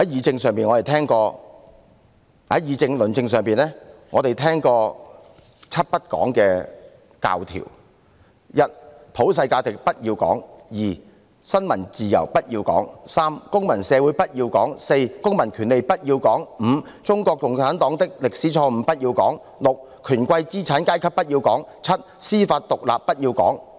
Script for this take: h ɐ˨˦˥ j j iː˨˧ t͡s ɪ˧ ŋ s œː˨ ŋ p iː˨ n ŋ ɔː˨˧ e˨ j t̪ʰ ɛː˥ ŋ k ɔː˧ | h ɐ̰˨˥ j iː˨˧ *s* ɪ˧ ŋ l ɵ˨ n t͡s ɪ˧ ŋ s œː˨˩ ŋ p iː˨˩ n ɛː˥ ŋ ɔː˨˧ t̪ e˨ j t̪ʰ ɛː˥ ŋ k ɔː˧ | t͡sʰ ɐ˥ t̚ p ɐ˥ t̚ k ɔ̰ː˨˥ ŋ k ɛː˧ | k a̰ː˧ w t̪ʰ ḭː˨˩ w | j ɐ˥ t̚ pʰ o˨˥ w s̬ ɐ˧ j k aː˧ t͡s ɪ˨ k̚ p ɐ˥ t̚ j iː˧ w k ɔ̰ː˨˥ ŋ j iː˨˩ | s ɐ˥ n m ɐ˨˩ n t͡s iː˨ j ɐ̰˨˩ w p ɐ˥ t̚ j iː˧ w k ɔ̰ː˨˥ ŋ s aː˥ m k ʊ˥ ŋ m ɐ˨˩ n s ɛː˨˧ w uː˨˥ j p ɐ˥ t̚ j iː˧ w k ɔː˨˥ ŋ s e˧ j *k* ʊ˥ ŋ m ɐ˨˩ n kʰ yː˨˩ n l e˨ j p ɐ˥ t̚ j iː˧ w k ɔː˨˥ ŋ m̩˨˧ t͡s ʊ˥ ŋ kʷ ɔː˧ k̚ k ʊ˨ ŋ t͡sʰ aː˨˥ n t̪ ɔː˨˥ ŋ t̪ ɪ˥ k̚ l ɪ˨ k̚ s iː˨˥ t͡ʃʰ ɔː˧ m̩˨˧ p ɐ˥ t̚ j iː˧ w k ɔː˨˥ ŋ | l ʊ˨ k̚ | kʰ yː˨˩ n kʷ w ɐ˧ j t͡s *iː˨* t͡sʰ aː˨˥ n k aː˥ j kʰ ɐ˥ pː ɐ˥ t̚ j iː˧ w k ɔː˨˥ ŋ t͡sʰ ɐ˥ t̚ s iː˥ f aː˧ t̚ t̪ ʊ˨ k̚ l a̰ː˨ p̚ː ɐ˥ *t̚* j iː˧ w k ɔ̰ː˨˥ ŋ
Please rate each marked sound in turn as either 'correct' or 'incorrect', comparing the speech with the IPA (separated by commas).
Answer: incorrect, correct, incorrect, correct